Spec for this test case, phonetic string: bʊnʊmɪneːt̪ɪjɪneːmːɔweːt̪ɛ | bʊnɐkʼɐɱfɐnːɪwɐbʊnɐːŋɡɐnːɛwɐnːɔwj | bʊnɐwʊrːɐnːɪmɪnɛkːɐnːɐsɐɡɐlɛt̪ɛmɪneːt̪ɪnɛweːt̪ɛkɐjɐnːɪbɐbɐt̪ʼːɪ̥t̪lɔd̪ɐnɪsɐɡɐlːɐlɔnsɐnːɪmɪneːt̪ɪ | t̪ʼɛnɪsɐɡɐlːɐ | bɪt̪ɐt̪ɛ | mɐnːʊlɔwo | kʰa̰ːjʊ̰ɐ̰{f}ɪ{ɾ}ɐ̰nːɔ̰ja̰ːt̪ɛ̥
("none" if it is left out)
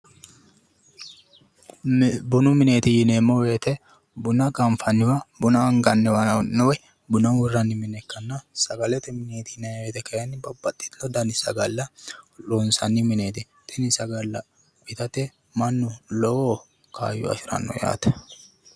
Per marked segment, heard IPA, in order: ʃ, ɾ

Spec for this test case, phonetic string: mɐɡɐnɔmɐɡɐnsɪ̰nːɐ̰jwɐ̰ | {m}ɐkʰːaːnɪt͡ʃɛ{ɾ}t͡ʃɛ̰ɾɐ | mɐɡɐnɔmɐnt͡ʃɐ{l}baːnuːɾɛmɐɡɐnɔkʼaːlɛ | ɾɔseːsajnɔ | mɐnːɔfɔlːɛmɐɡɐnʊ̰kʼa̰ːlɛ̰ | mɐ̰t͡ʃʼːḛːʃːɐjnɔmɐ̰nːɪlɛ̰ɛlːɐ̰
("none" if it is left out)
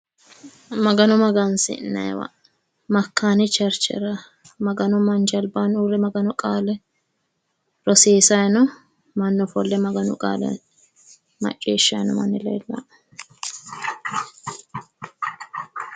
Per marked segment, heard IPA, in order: m, ɾ, l

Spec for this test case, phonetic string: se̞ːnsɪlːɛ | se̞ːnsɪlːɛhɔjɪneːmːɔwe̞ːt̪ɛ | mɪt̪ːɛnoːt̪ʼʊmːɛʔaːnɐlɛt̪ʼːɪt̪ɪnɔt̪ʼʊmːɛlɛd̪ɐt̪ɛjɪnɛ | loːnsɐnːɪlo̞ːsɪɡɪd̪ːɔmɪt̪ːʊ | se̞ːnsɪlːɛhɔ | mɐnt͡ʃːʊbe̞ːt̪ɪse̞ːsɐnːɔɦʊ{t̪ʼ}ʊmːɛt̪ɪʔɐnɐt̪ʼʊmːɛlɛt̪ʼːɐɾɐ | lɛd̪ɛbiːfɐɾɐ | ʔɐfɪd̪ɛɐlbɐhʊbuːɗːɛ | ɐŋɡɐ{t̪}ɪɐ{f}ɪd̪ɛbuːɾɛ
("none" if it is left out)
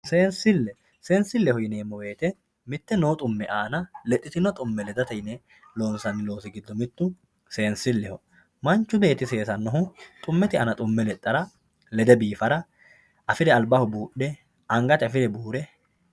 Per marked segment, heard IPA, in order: t̪ʼ, t̪, f

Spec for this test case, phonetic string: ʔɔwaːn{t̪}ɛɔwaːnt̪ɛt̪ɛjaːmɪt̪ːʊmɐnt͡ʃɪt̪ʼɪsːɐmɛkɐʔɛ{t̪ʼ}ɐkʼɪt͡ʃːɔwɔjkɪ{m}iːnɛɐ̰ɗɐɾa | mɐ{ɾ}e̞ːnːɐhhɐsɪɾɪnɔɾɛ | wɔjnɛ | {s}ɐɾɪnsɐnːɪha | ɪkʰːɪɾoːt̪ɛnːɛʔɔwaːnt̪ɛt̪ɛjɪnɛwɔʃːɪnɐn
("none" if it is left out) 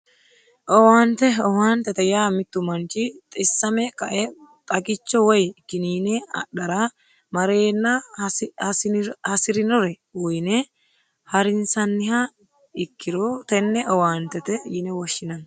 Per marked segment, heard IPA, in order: t̪, t̪ʼ, n, ɾ, h

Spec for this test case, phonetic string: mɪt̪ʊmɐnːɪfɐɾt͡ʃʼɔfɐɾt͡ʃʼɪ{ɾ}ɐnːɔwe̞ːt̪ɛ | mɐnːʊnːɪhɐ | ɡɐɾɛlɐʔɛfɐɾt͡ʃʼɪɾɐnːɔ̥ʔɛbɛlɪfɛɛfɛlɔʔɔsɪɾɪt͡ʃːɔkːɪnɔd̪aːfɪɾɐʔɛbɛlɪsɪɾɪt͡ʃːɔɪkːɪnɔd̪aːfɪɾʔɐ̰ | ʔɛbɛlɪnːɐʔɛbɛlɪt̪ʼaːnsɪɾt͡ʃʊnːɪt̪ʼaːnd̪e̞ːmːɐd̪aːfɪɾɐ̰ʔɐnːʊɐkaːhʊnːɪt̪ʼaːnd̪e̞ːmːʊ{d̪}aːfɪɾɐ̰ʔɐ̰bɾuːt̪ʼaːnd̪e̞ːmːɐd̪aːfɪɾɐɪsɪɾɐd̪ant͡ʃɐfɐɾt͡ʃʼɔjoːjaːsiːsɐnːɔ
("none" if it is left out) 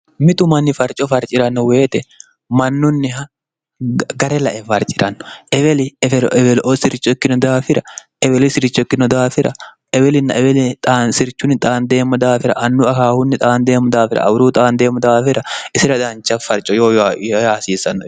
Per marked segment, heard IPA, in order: ɾ, d̪

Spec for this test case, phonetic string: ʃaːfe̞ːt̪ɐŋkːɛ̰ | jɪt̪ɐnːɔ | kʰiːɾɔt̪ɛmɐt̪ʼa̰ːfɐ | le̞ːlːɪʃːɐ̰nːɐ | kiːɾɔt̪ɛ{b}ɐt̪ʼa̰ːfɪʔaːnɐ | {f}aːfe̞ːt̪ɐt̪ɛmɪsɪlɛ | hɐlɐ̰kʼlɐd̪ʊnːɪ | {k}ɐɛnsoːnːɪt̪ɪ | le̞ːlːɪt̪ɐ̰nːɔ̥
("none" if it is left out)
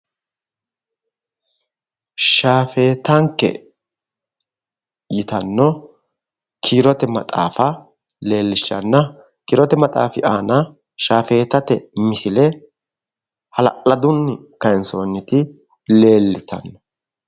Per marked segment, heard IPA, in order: m, ʃ, k

